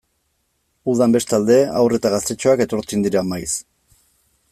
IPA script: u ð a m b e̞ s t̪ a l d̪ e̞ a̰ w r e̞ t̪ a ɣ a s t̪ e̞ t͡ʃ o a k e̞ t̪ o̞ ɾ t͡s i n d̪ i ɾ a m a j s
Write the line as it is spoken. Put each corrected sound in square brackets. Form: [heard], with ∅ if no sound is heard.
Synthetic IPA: u ð a m b e̞ s t̪ a l d̪ e̞ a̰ w r e̞ t̪ a ɣ a s t̪ e̞ t͡ʃ o a k e̞ t̪ o̞ ɾ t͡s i n d̪ i ɾ a m a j s